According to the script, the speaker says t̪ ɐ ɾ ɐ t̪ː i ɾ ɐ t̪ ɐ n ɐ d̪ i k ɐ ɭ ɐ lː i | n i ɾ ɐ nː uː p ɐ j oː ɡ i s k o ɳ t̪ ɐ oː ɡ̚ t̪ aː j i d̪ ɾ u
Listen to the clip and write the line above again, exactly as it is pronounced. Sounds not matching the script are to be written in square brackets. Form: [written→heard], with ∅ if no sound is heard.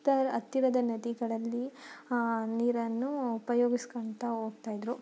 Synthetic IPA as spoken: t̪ ɐ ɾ ɐ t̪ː i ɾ ɐ [t̪→d̪] ɐ n ɐ d̪ i [k→ɡ] ɐ ɭ ɐ lː i | n [i→iː] ɾ ɐ nː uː p ɐ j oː ɡ i s k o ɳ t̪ ɐ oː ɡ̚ t̪ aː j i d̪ ɾ u

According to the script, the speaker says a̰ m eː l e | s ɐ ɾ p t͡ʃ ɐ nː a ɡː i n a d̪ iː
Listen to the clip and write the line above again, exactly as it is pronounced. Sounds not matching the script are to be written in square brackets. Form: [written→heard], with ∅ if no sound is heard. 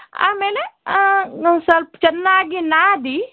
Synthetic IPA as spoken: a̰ m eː l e | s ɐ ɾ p t͡ʃ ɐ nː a [ɡː→ɡ] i n a d̪ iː

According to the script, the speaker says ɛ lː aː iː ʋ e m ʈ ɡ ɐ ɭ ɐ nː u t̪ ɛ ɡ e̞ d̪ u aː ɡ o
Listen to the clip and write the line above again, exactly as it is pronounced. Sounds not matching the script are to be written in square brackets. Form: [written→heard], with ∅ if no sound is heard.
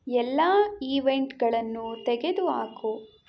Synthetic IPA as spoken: ɛ lː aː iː ʋ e [m→ɳ] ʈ ɡ ɐ ɭ ɐ nː u t̪ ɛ ɡ e̞ d̪ u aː [ɡ→k] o

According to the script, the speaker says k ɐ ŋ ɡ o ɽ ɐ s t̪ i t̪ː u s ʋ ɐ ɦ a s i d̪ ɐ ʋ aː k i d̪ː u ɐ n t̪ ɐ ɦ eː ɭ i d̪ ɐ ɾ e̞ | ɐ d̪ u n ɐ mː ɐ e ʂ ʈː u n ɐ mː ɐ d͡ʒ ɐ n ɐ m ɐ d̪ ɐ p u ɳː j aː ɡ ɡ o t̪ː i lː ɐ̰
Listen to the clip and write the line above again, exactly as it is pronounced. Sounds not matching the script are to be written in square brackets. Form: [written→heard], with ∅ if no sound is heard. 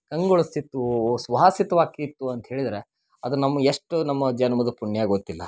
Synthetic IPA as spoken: k ɐ ŋ ɡ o [ɽ→ɭ] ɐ s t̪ i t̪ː u s ʋ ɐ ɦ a s i [d̪→t̪] ɐ ʋ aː k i [d̪ː→t̪ː] u ɐ n t̪ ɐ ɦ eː ɭ i d̪ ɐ ɾ e̞ | ɐ d̪ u n ɐ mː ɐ e ʂ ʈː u n ɐ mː ɐ d͡ʒ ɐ n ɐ m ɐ d̪ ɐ p u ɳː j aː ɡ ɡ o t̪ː i lː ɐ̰

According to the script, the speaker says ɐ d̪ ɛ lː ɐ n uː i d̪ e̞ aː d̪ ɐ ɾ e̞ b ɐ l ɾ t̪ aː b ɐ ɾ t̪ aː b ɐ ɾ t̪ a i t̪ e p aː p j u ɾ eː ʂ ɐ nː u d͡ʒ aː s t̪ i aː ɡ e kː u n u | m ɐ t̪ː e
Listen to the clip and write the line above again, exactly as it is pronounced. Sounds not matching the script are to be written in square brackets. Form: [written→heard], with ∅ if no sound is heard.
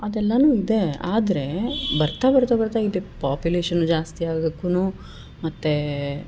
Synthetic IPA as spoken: ɐ d̪ ɛ lː ɐ n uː i d̪ e̞ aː d̪ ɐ ɾ e̞ b ɐ [l→∅] ɾ t̪ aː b ɐ ɾ t̪ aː b ɐ ɾ t̪ a i [t̪→d̪] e p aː p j u [ɾ→l] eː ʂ ɐ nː u d͡ʒ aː s t̪ i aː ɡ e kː u n u | m ɐ t̪ː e

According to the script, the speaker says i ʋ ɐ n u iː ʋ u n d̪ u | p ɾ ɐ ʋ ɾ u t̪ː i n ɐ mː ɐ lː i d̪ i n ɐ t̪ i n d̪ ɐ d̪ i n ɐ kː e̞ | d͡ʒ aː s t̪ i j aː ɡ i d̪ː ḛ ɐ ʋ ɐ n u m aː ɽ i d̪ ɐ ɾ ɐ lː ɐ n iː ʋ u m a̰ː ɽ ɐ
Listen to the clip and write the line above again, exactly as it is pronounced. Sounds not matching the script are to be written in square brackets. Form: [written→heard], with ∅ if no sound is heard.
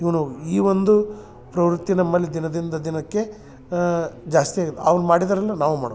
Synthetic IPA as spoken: i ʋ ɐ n u iː ʋ [u→o] n d̪ u | p ɾ ɐ ʋ ɾ u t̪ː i n ɐ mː ɐ lː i d̪ i n ɐ [t̪→d̪] i n d̪ ɐ d̪ i n ɐ kː e̞ | d͡ʒ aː s t̪ i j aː ɡ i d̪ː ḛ ɐ ʋ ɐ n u m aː ɽ i d̪ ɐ ɾ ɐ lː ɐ n [iː→aː] ʋ u m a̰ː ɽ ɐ

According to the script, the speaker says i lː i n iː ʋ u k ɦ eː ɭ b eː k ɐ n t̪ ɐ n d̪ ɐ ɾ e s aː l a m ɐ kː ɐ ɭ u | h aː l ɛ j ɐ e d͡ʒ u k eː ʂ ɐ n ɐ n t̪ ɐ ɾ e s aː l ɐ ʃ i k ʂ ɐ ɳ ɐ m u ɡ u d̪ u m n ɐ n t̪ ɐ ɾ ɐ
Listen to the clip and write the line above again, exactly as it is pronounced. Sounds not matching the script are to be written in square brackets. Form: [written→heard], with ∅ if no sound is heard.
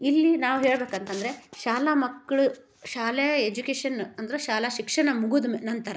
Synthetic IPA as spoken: i lː i n [iː→aː] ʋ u [k→∅] ɦ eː ɭ b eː k ɐ n t̪ ɐ n d̪ ɐ ɾ e [s→ʃ] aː l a m ɐ kː ɐ ɭ u | [h→ʃ] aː l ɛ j ɐ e d͡ʒ u k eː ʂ ɐ n ɐ n [t̪→d̪] ɐ ɾ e [s→ʃ] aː l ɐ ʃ i k ʂ ɐ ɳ ɐ m u ɡ u d̪ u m n ɐ n t̪ ɐ ɾ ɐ

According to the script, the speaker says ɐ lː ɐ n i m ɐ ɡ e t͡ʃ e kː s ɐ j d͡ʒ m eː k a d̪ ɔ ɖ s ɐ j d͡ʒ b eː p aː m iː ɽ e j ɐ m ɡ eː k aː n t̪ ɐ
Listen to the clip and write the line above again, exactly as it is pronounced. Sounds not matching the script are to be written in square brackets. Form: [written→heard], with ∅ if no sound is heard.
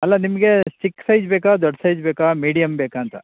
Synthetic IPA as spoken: ɐ lː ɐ n i m ɐ ɡ e t͡ʃ [e→i] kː s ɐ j d͡ʒ [m→b] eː k a d̪ ɔ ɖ s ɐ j d͡ʒ b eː [p→k] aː m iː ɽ [e→i] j ɐ m [ɡ→b] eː k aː n t̪ ɐ

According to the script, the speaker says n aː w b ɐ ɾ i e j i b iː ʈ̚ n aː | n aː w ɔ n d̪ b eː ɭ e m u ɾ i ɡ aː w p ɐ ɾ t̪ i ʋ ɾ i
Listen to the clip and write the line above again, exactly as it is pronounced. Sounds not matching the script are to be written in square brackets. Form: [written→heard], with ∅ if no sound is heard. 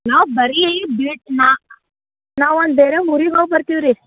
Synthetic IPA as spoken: n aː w b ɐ ɾ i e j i b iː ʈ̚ n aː | n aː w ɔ n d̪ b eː [ɭ→ɾ] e m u ɾ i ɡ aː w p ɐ ɾ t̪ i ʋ ɾ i

